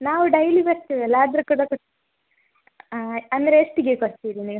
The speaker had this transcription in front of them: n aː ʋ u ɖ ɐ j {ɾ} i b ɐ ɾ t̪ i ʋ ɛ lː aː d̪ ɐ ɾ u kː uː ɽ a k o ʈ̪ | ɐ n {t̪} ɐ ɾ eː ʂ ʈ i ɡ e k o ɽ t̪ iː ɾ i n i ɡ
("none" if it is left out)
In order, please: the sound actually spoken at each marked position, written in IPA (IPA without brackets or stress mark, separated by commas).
l, d̪